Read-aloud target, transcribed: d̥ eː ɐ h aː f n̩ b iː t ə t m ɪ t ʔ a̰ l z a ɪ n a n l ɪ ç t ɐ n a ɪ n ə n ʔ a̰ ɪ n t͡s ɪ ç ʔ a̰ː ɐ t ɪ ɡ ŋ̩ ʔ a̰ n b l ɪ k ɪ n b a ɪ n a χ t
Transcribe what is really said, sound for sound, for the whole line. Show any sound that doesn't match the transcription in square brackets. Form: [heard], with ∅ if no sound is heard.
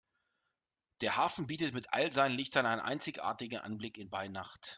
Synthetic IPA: d̥ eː ɐ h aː f n̩ b iː t ə t m ɪ t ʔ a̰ l z a ɪ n [ə] n l ɪ ç t ɐ n a ɪ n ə n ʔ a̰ ɪ n t͡s ɪ ç ʔ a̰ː ɐ t ɪ ɡ ŋ̩ ʔ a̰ n b l ɪ k ɪ n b a ɪ n a χ t